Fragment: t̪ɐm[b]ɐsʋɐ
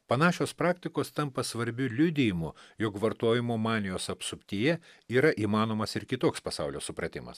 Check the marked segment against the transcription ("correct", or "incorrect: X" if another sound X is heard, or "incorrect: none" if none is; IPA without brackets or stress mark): incorrect: p